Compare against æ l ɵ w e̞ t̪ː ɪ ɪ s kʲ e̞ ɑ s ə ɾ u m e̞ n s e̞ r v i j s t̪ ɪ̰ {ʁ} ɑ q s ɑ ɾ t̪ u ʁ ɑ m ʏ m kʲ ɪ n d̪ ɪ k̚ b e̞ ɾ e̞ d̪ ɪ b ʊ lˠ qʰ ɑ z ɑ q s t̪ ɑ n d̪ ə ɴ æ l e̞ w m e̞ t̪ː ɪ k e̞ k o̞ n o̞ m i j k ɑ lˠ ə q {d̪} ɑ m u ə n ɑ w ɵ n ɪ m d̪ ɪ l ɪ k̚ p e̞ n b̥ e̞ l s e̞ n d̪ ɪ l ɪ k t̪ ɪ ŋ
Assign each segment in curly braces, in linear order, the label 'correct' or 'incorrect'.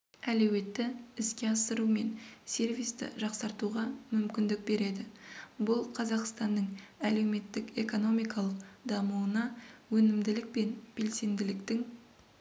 incorrect: ʒ, correct

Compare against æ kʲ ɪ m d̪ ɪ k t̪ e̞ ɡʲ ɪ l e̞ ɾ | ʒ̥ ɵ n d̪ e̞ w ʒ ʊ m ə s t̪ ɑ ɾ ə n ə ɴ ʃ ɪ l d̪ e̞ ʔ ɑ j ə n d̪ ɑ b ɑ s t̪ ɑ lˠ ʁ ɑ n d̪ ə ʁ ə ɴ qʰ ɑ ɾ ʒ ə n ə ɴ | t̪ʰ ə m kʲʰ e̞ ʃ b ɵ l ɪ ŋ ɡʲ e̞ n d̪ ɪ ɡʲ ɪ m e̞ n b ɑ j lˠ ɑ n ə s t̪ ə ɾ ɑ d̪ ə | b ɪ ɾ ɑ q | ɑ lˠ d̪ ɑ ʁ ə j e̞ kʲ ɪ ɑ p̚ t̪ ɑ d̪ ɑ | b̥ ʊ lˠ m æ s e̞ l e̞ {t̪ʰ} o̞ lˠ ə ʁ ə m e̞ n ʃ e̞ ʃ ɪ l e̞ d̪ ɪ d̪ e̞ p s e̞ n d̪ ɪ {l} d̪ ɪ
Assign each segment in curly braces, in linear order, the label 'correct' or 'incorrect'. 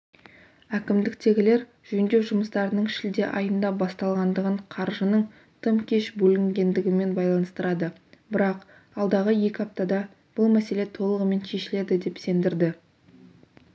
correct, incorrect: ɾ

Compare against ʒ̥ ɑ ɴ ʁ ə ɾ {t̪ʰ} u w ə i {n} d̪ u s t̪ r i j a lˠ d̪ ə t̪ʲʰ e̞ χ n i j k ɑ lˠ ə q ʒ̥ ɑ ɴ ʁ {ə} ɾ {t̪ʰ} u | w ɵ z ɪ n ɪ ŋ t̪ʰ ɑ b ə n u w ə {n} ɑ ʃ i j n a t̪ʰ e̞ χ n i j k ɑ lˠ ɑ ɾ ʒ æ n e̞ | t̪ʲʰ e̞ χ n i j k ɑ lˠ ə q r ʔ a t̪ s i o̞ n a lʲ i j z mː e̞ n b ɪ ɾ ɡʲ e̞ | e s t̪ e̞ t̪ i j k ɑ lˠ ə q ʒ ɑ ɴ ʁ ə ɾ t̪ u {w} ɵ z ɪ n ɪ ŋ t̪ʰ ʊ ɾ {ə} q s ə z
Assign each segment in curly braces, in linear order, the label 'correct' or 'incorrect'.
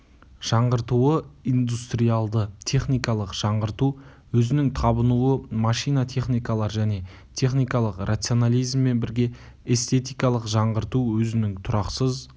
incorrect: t̪, correct, correct, incorrect: t̪, incorrect: m, correct, incorrect: ɑ

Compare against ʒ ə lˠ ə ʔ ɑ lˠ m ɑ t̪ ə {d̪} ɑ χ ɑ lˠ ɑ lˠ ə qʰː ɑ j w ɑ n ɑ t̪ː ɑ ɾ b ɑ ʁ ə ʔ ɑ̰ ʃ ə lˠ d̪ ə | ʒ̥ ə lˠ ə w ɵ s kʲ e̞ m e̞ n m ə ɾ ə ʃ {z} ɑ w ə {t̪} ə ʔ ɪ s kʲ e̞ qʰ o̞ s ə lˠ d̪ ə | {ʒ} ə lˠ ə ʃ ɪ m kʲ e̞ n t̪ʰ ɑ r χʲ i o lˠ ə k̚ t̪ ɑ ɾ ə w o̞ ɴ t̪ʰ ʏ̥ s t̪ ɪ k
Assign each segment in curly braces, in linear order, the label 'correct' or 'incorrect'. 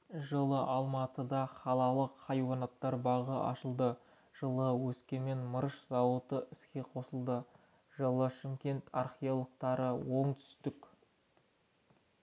correct, correct, correct, correct

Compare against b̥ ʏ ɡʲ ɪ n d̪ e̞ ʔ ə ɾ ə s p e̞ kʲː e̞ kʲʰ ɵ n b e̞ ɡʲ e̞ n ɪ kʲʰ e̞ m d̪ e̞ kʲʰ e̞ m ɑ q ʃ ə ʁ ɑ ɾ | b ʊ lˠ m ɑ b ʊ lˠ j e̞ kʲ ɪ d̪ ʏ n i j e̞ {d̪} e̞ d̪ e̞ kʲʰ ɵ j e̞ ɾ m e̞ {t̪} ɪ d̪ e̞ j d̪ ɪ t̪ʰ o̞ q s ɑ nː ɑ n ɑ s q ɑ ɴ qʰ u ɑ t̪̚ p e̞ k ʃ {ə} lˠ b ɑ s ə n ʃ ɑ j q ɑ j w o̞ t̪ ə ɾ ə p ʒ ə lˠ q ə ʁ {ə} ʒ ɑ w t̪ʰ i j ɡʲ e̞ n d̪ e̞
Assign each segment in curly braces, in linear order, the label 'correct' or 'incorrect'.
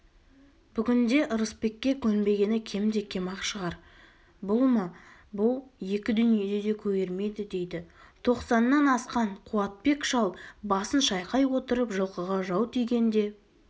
correct, incorrect: d̪, incorrect: ɑ, incorrect: ɑ

